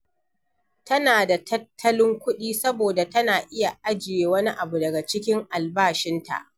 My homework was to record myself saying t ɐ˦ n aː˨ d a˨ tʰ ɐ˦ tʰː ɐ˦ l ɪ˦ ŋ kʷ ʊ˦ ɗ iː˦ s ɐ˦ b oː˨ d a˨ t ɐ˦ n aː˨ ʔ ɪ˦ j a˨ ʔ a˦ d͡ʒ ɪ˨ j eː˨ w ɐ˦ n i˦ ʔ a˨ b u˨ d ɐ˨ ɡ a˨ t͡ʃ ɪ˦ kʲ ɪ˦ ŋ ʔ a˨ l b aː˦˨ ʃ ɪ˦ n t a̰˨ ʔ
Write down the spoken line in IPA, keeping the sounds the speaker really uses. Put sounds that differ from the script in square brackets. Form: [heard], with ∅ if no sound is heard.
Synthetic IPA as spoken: t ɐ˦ n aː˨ d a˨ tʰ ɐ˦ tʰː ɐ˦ l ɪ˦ ŋ kʷ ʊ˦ ɗ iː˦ s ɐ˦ b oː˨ d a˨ t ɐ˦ n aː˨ ʔ ɪ˦ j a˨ ʔ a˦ d͡ʒ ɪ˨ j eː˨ w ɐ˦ n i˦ ʔ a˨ b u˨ d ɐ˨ ɡ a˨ t͡ʃ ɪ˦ kʲ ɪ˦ ŋ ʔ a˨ l b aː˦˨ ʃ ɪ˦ n t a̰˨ ʔ